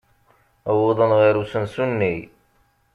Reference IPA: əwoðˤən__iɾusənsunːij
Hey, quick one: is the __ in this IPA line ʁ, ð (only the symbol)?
ʁ